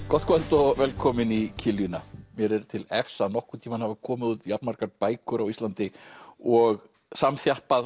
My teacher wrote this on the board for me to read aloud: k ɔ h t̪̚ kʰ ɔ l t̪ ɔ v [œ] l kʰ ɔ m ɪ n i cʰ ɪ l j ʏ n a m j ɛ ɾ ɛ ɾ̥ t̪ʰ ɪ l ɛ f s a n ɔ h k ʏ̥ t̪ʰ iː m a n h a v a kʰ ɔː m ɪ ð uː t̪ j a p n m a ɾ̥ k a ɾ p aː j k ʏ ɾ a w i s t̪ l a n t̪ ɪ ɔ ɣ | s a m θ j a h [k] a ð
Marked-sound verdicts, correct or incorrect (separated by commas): incorrect, incorrect